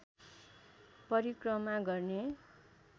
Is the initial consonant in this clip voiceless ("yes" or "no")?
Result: yes